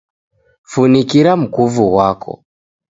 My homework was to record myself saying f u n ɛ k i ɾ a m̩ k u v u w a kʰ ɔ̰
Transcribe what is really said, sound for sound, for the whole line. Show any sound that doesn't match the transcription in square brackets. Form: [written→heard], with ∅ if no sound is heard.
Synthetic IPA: f u n [ɛ→i] k i ɾ a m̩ k u v u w a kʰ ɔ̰